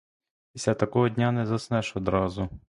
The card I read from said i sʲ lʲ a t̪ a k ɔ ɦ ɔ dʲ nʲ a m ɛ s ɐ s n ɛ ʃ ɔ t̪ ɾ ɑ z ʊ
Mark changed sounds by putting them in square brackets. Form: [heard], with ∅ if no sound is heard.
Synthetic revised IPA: i sʲ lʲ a t̪ [ɐ] k ɔ ɦ ɔ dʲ nʲ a [n] ɛ [z] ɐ s n ɛ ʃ ɔ [d̪] ɾ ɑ z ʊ